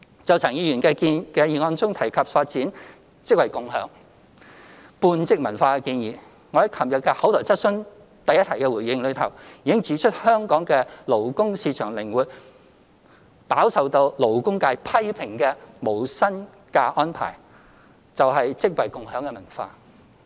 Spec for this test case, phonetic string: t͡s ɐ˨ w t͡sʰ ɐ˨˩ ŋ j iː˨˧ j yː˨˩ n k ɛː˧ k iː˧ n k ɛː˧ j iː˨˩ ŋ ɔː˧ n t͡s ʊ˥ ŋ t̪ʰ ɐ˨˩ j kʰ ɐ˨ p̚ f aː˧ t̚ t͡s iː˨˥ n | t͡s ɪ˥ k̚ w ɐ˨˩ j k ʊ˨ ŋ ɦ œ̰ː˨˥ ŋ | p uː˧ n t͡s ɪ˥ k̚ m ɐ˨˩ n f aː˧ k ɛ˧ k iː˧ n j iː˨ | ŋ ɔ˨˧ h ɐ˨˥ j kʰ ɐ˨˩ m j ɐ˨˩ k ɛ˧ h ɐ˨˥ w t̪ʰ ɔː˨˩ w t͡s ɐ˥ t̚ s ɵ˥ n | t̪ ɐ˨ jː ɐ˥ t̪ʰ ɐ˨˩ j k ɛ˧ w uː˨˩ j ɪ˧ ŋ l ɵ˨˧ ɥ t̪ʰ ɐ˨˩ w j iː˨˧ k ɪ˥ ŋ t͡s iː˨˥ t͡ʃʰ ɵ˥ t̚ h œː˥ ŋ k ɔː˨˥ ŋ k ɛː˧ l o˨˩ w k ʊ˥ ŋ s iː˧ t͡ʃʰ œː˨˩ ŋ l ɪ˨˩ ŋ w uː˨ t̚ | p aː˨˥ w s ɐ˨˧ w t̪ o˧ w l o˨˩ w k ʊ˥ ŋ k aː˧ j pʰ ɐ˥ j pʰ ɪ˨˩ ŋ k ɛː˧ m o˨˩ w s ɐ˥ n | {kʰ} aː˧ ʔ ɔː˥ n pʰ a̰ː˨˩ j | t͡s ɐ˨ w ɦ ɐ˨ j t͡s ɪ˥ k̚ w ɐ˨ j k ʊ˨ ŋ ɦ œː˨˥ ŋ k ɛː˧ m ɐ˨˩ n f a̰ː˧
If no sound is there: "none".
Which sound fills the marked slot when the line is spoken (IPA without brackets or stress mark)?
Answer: k